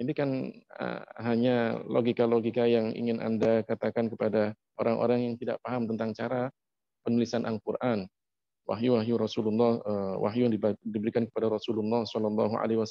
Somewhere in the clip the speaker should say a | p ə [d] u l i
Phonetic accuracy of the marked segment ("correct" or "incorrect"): incorrect